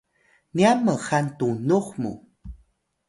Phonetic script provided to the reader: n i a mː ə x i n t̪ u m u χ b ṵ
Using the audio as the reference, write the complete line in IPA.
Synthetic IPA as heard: n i a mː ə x a n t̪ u n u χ m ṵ